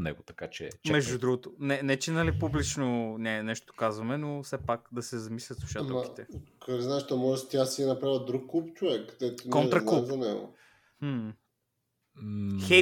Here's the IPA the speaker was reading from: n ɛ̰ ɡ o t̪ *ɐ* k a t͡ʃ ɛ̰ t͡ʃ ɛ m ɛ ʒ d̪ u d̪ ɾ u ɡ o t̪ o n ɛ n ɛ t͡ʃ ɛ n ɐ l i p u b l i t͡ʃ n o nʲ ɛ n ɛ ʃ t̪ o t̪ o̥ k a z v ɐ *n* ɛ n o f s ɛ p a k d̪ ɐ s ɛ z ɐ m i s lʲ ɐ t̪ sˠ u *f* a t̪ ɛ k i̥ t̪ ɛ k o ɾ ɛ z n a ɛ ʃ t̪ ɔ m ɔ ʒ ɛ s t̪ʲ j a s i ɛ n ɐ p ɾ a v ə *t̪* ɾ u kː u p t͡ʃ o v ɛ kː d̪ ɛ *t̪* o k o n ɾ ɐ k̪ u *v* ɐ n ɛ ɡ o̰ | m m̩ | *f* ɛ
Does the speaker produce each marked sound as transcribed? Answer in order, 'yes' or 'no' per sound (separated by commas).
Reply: yes, no, no, no, yes, no, no